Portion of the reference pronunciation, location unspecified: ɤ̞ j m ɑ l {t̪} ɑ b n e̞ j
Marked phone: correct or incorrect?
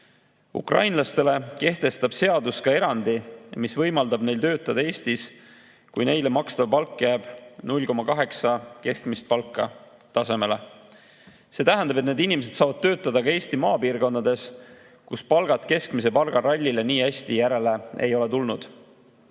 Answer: incorrect